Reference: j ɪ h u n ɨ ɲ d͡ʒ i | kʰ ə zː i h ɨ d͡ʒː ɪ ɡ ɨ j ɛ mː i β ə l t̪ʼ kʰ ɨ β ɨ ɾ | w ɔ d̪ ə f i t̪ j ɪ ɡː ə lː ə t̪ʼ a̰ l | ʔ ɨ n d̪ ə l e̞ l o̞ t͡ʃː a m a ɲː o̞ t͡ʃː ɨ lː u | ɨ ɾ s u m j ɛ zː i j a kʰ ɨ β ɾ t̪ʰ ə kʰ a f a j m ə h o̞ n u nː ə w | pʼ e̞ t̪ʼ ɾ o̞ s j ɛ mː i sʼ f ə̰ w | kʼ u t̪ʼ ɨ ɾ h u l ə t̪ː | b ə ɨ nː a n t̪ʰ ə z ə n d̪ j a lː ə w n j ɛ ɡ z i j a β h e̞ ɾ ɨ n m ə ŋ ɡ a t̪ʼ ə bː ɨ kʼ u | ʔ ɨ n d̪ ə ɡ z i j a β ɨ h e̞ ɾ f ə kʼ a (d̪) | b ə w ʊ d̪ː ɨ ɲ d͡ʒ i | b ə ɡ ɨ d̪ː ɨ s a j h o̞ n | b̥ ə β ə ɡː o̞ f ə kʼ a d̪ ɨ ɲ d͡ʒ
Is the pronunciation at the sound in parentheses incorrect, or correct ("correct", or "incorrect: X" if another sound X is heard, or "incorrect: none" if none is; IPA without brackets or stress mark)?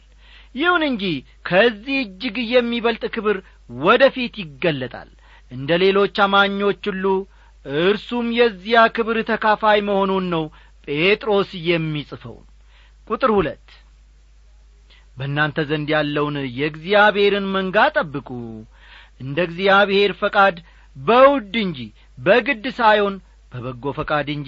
correct